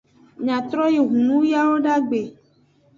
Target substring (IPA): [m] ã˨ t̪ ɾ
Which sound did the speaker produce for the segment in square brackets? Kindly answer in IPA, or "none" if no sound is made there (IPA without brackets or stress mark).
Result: ɲ